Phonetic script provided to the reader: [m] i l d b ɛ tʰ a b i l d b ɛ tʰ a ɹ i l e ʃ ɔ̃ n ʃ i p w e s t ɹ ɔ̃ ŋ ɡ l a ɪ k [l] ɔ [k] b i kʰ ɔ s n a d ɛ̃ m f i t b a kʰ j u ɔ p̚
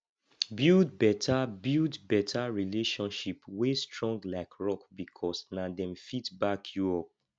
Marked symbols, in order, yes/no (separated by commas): no, no, yes